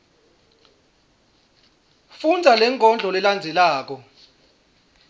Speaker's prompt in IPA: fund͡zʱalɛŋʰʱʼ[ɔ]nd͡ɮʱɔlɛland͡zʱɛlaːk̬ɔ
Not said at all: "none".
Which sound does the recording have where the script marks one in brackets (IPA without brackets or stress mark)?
ɔ